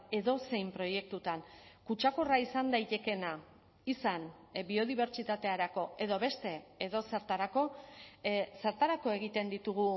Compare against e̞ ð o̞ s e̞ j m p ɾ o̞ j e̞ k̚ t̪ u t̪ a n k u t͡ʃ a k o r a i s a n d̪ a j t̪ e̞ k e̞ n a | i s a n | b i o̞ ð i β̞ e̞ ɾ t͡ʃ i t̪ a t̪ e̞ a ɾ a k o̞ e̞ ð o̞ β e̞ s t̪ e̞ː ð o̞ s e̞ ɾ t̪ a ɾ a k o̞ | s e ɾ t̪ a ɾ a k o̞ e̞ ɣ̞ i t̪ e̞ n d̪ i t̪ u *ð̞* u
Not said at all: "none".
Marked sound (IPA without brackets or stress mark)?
ɣ̞